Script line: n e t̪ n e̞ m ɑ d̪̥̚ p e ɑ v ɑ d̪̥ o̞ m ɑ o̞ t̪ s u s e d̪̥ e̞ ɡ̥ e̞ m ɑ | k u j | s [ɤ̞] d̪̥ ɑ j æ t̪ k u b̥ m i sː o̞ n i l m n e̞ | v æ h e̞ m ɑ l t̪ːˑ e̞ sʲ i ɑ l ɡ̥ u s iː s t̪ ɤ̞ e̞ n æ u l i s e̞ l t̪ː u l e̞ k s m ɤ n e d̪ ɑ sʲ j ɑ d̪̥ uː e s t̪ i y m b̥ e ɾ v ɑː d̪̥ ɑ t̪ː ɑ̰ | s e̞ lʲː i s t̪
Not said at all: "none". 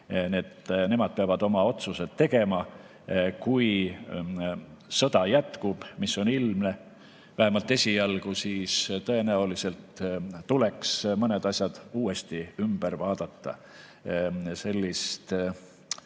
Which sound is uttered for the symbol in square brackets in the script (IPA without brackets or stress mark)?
ɤ̞